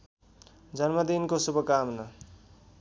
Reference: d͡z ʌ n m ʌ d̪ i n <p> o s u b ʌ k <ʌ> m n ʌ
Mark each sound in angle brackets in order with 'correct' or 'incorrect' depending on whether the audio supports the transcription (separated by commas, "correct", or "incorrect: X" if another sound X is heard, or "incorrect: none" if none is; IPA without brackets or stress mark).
incorrect: k, incorrect: a